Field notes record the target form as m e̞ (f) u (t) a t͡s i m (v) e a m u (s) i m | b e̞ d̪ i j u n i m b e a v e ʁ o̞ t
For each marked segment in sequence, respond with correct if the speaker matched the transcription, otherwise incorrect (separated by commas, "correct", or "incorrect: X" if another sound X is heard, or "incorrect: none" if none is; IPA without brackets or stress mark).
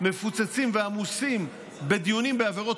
correct, incorrect: t͡s, correct, correct